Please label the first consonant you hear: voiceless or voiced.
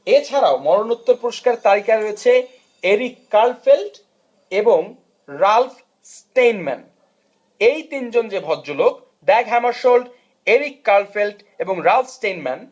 voiceless